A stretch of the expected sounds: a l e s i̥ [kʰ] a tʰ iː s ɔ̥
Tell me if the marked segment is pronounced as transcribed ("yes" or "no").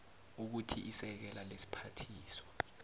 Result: no